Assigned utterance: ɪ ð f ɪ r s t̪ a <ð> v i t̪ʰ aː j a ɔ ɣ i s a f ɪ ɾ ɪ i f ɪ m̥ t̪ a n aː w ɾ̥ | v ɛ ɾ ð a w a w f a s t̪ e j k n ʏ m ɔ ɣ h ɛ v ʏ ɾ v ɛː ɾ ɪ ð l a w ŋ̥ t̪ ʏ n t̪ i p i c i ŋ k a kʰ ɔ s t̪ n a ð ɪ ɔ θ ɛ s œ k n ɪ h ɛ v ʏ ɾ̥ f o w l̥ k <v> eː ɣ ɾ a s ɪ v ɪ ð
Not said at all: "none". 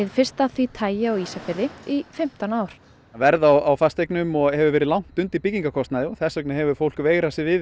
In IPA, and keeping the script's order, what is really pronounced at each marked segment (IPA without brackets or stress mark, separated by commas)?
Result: θ, v